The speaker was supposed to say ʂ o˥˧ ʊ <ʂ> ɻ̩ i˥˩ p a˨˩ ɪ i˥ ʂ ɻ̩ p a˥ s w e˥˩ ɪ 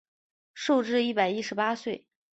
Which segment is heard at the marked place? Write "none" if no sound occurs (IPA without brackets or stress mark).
ʈ͡ʂ